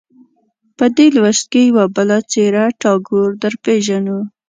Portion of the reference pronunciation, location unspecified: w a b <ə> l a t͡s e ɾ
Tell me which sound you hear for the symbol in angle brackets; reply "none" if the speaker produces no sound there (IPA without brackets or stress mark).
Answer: ə